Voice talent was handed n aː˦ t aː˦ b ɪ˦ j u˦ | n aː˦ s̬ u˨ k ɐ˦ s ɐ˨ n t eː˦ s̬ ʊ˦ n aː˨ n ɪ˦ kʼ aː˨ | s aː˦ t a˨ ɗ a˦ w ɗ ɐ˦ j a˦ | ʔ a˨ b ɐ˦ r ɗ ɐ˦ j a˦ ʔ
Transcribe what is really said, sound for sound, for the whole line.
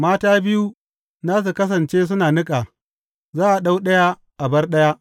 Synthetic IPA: m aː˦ t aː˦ b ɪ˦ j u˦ | n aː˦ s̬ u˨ k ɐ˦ s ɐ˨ n t͡ʃ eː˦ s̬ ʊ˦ n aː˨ n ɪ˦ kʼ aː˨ | z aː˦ ʔ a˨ ɗ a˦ w ɗ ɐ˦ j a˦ | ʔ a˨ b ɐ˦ r ɗ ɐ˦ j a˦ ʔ